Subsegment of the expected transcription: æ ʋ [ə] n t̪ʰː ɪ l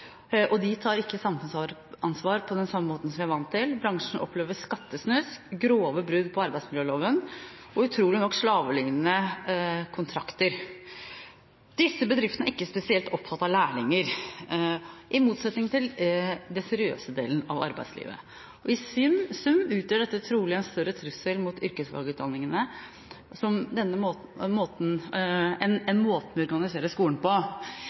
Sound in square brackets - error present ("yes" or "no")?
yes